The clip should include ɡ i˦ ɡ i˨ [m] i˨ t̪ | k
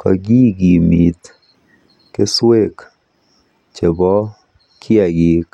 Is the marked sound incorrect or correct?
correct